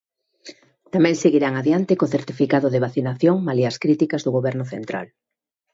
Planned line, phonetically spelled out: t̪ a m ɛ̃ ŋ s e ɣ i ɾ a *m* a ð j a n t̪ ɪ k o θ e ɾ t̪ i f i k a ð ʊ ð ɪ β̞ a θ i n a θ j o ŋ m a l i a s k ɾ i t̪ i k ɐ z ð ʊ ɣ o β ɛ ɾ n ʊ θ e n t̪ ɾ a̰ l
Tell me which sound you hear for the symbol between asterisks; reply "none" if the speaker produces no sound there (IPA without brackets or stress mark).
ŋ